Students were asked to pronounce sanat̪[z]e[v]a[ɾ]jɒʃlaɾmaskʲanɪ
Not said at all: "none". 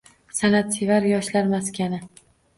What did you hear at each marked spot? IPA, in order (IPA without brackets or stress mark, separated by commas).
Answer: s, v, ɾ